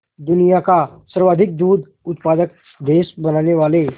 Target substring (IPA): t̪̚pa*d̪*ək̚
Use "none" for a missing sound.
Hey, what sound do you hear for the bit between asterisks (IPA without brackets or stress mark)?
d̪